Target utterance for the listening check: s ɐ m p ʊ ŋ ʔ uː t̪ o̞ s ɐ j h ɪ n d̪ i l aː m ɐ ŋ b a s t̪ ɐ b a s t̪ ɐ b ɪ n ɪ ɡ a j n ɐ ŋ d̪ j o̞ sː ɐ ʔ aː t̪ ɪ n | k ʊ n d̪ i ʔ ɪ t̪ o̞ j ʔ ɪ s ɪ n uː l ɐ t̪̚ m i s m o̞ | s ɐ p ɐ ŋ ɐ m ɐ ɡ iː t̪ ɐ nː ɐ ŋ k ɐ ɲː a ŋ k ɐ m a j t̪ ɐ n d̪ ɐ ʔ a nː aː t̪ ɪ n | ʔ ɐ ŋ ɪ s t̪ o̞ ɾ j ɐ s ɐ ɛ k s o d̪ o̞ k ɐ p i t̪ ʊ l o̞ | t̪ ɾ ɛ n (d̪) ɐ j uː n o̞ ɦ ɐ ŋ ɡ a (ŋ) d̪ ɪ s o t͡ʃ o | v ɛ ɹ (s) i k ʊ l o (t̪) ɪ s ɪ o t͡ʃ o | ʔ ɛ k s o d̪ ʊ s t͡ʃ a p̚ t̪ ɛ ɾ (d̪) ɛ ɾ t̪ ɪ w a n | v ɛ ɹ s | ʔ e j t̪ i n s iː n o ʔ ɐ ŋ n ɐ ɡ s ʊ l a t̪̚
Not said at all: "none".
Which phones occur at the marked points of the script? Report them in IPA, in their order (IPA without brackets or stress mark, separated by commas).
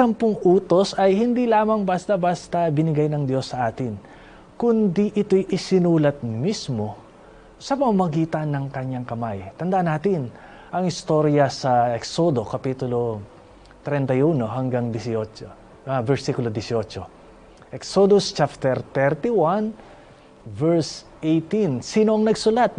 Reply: t̪, ŋ, s, d̪, t̪